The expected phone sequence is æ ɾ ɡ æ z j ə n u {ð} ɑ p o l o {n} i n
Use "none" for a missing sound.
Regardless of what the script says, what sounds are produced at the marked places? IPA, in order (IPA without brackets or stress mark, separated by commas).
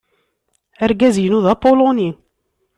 ð, n